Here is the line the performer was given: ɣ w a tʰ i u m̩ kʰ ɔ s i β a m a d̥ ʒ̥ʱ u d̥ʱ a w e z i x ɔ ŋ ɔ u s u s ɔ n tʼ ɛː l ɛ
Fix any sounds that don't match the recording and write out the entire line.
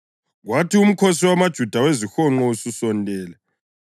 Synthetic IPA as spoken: ɣ w a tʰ i u m̩ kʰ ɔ s i w a m a d̥ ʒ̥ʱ u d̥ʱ a w e z i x ɔ ŋ͡ǃ ɔ u s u s ɔ n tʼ ɛː l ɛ